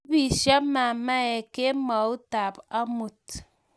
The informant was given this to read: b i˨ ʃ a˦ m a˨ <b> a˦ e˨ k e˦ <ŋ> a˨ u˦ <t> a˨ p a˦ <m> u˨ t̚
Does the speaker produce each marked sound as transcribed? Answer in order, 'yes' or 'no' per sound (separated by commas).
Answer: no, no, yes, yes